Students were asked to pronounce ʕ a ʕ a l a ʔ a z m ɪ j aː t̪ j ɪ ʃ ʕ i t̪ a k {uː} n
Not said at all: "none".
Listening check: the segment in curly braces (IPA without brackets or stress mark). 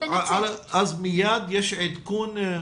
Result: uː